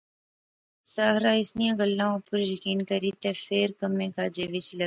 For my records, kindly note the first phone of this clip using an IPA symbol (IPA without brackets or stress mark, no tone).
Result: s